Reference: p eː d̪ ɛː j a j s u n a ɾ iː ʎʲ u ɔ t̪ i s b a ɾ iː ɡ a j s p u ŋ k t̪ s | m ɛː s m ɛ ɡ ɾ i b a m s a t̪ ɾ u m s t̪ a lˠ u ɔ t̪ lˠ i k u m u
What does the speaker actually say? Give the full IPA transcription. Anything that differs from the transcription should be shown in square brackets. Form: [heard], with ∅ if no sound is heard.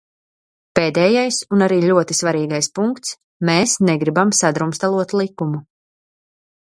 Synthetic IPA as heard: p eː d̪ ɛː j a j s u n a ɾ iː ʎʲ u ɔ t̪ i s [v] a ɾ iː ɡ a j s p u ŋ k t̪ s | m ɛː s [n] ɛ ɡ ɾ i b a m s a [d̪] ɾ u m s t̪ a lˠ u ɔ t̪ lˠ i k u m u